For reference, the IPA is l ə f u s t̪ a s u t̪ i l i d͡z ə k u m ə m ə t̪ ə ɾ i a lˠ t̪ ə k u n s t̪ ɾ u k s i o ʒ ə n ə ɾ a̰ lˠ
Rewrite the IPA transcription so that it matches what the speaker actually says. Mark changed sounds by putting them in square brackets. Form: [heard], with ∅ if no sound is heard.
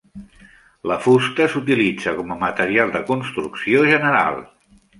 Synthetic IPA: l ə f u s t̪ [ə] s u t̪ i l i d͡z ə k [ɔ] m ə m ə t̪ ə ɾ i a lˠ [d̪] ə k u n s t̪ ɾ u k s i o ʒ ə n ə ɾ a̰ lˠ